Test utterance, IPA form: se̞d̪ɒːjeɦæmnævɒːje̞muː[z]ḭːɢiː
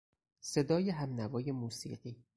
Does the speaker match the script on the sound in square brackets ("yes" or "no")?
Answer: no